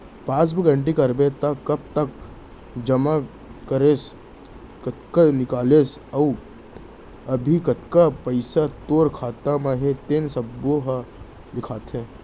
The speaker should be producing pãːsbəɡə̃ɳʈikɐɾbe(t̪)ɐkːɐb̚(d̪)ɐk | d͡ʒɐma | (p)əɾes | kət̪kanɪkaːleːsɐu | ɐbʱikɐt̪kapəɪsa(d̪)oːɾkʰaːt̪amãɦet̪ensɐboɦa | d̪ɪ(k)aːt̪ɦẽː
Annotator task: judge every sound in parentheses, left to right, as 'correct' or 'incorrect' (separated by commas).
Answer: correct, incorrect, incorrect, incorrect, incorrect